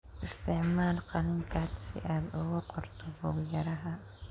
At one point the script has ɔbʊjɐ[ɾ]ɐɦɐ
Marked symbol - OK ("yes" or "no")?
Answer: yes